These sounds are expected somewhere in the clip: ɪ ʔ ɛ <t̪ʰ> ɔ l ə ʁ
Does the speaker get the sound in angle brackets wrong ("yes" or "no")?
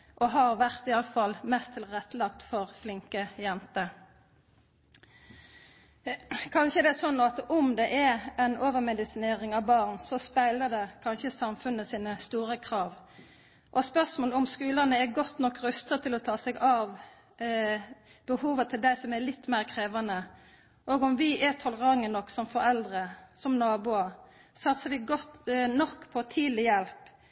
no